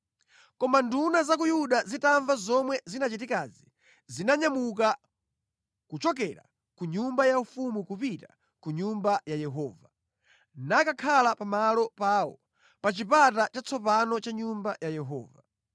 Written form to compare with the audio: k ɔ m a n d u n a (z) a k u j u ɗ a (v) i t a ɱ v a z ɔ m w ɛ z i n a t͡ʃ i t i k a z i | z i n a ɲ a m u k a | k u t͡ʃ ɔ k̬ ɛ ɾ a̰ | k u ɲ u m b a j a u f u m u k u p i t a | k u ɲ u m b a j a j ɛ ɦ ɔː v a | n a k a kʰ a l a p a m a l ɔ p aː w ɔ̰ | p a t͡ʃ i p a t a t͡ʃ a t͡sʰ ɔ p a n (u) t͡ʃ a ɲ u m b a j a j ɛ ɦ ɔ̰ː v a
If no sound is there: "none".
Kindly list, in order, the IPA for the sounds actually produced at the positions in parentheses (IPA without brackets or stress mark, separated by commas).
z, z, ɔ